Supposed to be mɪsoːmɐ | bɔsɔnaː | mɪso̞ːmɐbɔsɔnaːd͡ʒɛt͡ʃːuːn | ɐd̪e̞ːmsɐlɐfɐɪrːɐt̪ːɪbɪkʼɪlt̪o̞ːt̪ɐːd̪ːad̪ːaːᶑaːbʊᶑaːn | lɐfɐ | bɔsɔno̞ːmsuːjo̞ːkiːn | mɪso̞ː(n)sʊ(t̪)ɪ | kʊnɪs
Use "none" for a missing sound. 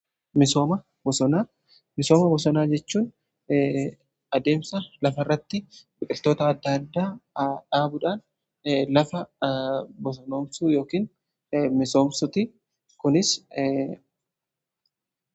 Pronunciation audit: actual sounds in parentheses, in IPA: m, t̪

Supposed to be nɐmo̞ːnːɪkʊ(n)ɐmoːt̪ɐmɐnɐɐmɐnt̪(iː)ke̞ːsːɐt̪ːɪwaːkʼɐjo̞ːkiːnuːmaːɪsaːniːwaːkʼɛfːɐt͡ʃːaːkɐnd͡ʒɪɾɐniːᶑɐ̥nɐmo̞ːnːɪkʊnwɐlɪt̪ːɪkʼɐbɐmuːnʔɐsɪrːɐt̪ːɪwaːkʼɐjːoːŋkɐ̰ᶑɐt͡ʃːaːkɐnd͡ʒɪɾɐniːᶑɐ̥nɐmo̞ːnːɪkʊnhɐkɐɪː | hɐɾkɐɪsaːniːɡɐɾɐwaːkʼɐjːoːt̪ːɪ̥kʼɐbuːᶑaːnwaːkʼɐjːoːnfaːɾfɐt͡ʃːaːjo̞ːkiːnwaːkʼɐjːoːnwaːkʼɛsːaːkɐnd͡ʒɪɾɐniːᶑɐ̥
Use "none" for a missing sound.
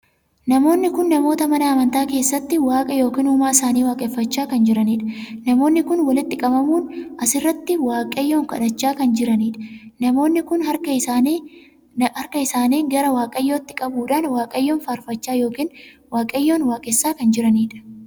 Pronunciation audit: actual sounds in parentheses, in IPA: nː, aː

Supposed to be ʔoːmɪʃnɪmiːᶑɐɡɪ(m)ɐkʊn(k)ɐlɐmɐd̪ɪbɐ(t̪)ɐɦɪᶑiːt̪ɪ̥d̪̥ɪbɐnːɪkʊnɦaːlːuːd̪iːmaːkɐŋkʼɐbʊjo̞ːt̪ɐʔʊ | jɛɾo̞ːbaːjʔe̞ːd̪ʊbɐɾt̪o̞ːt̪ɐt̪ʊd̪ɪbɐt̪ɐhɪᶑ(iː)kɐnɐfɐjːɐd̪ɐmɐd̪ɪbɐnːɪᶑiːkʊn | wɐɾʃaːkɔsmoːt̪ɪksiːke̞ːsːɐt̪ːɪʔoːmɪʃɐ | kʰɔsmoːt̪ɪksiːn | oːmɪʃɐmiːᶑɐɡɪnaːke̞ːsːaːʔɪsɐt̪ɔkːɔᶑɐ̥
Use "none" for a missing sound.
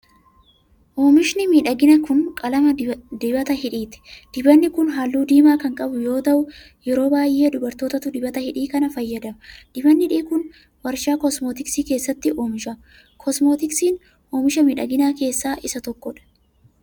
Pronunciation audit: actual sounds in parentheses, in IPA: n, kʼ, t̪, iː

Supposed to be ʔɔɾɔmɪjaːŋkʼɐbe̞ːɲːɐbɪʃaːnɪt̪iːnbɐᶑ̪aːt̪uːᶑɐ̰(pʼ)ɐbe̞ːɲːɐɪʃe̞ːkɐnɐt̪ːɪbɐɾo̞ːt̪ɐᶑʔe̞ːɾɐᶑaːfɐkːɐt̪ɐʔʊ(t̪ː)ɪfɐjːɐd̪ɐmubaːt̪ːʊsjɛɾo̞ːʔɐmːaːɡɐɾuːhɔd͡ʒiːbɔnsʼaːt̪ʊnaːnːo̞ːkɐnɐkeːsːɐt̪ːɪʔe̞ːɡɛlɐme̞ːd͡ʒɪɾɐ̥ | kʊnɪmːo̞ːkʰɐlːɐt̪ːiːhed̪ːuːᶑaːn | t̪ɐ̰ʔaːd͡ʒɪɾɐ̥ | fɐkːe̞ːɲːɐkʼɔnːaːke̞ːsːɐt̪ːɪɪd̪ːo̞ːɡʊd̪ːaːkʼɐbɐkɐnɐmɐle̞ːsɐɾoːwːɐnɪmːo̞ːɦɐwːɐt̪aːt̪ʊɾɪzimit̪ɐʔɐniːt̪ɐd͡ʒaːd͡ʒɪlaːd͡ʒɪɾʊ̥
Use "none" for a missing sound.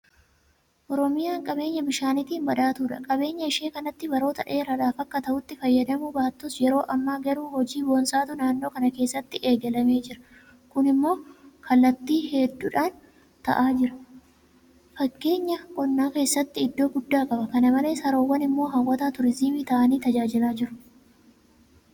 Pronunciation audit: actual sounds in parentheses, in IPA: kʼ, t̪ː

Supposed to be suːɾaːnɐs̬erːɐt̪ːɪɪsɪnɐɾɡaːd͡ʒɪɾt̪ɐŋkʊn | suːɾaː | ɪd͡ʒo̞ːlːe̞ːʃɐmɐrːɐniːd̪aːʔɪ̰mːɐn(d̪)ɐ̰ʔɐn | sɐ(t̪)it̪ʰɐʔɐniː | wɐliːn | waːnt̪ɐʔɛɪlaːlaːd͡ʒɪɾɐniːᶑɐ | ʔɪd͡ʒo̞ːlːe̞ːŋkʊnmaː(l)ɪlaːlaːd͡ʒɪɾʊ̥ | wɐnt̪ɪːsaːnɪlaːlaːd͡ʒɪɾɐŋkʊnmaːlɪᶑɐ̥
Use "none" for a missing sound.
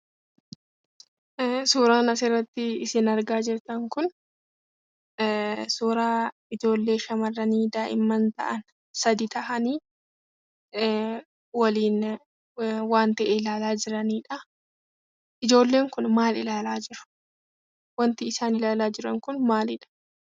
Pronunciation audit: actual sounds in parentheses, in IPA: t̪, d̪, l

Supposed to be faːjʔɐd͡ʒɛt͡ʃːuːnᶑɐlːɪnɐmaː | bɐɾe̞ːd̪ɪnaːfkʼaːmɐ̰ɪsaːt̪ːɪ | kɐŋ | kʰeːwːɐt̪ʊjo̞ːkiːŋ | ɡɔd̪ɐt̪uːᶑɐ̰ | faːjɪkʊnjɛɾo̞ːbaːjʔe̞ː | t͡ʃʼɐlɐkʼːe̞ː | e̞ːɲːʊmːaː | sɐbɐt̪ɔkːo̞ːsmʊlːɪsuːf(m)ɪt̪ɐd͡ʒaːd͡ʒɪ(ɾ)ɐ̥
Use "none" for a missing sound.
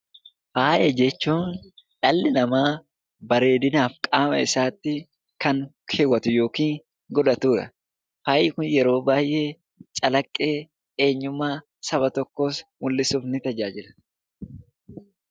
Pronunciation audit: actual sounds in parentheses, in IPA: n, l

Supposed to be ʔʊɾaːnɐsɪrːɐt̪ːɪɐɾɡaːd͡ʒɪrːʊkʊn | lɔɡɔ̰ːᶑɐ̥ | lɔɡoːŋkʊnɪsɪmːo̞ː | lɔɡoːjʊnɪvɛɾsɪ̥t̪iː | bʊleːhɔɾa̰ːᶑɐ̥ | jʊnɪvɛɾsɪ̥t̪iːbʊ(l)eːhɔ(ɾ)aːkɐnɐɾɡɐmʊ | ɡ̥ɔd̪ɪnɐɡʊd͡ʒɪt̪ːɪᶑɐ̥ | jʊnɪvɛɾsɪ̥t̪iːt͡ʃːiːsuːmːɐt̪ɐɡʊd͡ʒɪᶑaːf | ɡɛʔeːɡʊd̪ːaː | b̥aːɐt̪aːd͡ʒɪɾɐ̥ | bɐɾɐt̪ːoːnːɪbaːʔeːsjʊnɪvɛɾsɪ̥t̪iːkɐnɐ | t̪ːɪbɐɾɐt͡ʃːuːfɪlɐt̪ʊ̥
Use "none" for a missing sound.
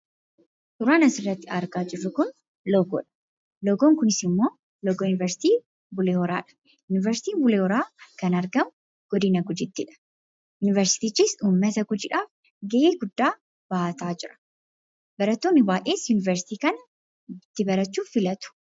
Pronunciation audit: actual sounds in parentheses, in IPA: l, ɾ

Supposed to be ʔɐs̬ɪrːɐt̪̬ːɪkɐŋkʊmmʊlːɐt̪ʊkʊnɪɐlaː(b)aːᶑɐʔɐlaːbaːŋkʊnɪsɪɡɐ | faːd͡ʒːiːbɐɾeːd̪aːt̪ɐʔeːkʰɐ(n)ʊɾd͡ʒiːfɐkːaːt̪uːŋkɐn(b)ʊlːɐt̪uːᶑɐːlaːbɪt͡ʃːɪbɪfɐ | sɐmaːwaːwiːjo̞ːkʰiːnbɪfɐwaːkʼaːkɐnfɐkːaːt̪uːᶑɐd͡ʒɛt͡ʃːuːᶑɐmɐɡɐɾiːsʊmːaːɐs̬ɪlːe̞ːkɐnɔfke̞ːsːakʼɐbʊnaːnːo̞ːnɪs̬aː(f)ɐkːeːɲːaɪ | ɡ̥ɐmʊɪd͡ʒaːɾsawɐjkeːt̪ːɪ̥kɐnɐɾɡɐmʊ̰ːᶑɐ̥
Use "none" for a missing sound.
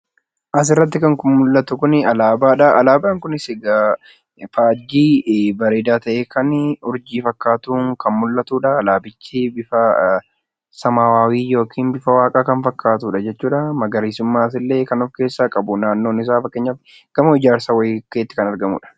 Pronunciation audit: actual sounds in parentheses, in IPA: b, n, m, f

